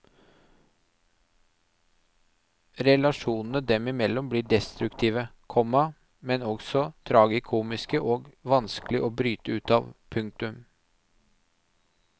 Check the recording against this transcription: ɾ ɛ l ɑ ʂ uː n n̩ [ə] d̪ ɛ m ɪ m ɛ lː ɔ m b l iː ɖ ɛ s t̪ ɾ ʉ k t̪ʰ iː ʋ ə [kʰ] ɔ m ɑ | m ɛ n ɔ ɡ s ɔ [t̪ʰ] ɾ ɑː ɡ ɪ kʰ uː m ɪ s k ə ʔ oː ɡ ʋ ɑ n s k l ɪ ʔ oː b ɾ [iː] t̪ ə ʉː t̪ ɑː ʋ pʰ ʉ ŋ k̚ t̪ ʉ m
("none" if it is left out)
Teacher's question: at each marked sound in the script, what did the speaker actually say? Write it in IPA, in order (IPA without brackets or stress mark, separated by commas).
ə, kʰ, t̪ʰ, yː